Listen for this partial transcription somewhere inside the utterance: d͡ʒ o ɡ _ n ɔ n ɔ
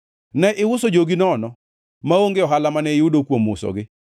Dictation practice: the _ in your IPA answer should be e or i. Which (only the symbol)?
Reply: i